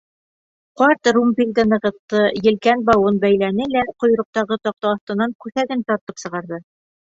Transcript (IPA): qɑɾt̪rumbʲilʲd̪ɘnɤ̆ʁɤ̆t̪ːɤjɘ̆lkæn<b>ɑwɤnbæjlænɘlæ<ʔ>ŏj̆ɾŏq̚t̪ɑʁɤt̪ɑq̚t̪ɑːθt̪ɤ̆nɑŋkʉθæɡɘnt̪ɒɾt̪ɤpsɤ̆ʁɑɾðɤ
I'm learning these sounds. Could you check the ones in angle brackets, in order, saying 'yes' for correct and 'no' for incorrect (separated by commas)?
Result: yes, no